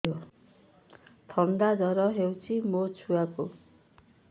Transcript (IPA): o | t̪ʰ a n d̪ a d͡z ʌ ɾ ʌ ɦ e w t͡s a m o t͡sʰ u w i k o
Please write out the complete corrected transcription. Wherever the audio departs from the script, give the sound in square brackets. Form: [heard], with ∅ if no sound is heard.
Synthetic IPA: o | t̪ʰ [ʌ] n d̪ a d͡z ʌ ɾ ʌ ɦ e w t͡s [i] m o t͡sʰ u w [a] k o